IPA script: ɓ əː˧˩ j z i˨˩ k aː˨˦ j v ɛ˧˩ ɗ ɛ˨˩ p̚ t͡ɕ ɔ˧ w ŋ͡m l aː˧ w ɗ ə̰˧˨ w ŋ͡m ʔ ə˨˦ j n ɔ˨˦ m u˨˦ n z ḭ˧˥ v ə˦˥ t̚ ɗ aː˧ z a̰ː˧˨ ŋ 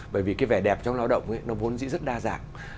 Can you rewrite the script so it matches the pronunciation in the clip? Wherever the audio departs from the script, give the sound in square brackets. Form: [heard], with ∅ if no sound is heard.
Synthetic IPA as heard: ɓ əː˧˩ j [v] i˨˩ k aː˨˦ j v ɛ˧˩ ɗ ɛ˨˩ p̚ t͡ɕ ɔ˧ w ŋ͡m l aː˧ w ɗ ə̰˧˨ w ŋ͡m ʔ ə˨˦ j n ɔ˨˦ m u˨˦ n z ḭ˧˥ [z] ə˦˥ t̚ ɗ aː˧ z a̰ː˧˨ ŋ